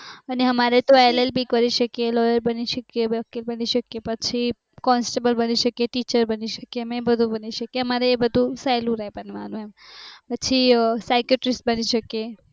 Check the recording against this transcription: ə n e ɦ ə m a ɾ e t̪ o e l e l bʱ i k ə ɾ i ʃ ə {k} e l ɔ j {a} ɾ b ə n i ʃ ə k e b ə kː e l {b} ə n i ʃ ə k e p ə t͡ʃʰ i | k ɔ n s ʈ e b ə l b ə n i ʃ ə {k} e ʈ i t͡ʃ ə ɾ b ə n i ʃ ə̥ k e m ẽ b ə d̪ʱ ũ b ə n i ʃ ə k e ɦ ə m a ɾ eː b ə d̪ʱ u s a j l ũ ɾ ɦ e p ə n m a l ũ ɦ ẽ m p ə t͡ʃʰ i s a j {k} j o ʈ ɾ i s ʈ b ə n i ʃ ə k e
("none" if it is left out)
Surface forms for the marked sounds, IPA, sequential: k, ə, b, k, k

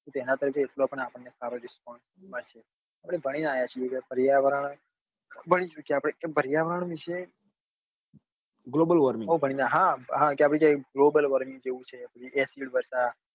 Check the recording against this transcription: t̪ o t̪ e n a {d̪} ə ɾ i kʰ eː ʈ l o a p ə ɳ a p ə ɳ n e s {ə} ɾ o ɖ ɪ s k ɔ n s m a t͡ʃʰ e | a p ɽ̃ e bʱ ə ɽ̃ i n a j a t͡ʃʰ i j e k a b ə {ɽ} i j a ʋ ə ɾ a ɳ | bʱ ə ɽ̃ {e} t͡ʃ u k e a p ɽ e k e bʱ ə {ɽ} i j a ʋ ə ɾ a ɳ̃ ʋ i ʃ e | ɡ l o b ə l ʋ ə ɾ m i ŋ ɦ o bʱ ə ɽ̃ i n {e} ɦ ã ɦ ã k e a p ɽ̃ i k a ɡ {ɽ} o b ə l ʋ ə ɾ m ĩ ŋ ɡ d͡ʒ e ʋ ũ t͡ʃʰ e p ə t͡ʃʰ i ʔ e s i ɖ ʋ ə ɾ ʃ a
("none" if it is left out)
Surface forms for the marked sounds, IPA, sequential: t̪, a, ɾ, i, ɾ, a, l

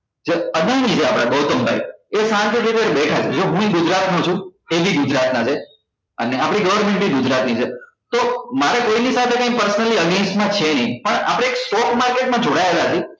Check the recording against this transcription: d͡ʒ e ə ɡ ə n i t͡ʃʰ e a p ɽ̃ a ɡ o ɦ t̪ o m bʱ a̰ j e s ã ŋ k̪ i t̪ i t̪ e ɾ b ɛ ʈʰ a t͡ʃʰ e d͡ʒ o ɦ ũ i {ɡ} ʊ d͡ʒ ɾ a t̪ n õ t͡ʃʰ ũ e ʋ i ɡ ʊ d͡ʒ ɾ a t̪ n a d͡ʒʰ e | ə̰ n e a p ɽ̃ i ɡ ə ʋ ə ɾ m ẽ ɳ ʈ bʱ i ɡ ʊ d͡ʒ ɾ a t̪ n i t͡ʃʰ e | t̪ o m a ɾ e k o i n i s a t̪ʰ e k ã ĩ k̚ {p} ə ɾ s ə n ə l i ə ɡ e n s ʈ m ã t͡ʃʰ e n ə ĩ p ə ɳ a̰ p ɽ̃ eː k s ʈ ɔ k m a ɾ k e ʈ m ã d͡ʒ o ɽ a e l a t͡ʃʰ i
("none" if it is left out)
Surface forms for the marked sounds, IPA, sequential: ɡ, p

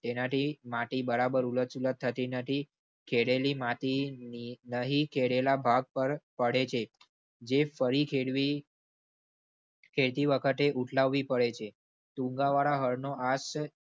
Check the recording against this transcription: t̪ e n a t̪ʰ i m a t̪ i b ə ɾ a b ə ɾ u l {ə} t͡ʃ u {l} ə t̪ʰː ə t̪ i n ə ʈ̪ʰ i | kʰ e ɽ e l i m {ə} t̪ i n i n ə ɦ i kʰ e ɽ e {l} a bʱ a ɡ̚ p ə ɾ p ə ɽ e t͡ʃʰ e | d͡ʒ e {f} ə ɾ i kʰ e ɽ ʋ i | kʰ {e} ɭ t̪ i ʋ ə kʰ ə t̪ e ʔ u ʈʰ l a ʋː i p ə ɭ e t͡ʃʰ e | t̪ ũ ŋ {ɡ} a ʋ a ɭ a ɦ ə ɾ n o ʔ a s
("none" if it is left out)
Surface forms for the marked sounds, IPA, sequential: ə, l, a, l, f, e, ɡ

